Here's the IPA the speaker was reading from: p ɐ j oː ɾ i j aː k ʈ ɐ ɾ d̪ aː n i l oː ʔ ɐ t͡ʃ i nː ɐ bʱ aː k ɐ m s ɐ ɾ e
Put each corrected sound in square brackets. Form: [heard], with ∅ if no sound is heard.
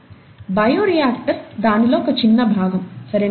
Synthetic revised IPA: [b] ɐ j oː ɾ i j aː k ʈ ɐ ɾ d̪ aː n i l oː [k] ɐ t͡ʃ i nː ɐ bʱ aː [ɡ] ɐ m s ɐ ɾ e